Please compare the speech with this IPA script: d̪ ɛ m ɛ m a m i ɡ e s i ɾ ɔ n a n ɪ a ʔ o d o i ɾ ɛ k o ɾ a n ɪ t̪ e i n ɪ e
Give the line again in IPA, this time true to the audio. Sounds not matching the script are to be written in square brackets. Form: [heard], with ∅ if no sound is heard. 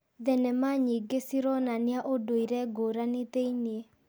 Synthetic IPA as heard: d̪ ɛ [n] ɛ m a [ɲ] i ɡ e s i ɾ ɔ n a n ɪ a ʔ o d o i ɾ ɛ [ɡ] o ɾ a n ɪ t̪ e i n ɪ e